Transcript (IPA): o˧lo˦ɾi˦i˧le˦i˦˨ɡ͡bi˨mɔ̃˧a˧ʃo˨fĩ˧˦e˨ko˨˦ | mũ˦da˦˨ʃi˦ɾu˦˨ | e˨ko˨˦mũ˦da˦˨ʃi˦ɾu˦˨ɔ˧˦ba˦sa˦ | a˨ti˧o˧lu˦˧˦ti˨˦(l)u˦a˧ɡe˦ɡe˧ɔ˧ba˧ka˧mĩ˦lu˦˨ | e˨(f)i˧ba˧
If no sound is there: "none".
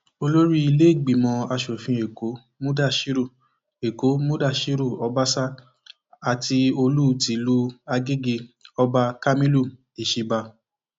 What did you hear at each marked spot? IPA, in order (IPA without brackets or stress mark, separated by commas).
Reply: l, ʃ